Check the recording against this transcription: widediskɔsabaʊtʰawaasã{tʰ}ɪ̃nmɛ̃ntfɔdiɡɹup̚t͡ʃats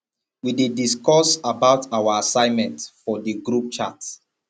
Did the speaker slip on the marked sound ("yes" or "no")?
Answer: yes